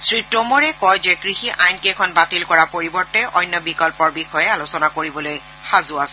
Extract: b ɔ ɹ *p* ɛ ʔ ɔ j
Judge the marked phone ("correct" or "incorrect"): incorrect